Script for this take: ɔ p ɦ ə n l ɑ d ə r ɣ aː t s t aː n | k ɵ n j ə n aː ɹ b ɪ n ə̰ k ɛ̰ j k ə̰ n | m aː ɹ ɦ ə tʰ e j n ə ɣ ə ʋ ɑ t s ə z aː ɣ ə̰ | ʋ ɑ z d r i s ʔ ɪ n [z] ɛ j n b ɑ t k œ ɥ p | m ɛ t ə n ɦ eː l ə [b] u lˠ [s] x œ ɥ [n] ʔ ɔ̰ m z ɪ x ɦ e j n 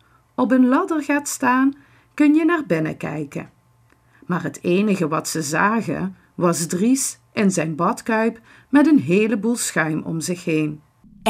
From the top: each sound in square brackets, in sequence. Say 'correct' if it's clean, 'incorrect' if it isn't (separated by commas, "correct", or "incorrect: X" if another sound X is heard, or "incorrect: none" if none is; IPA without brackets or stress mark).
correct, correct, correct, incorrect: m